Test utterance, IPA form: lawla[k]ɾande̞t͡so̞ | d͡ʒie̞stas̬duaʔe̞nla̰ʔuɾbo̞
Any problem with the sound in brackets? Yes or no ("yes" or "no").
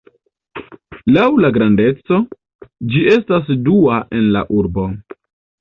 yes